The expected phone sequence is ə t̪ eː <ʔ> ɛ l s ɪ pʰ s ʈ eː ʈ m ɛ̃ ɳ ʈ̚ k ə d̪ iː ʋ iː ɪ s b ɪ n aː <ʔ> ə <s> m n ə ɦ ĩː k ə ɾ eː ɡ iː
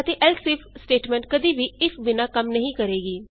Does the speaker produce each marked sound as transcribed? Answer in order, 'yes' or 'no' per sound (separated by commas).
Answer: yes, no, no